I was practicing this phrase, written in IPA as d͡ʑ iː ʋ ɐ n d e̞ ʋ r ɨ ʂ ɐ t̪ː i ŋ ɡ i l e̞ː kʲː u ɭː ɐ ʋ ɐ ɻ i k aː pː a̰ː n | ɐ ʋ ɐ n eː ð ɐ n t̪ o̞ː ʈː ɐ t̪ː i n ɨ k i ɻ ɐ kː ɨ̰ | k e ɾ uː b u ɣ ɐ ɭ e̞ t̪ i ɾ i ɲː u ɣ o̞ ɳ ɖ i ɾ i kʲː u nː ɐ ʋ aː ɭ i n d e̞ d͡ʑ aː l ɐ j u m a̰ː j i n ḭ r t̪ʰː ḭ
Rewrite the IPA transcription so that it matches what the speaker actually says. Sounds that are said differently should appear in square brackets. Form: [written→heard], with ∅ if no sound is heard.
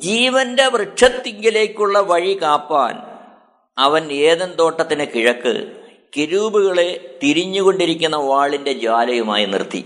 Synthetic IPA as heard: d͡ʑ iː ʋ ɐ n d e̞ ʋ r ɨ ʂ ɐ t̪ː i ŋ ɡ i l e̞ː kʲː u ɭː ɐ ʋ ɐ ɻ i k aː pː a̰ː n | ɐ ʋ ɐ n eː ð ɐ n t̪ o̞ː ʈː ɐ t̪ː i n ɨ k i ɻ ɐ kː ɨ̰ | k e ɾ uː b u ɣ ɐ ɭ e̞ t̪ i ɾ i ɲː u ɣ o̞ ɳ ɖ i ɾ i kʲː u nː ɐ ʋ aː ɭ i n d e̞ d͡ʑ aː l ɐ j u m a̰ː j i n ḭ r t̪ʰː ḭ